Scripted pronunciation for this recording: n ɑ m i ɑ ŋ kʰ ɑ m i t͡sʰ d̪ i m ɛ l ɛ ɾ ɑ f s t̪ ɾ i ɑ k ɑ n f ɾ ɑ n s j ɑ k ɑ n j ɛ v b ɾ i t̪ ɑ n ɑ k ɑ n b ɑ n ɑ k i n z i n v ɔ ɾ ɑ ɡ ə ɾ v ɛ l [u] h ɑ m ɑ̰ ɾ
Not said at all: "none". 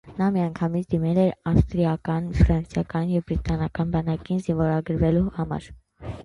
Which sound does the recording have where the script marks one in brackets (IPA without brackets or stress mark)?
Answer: u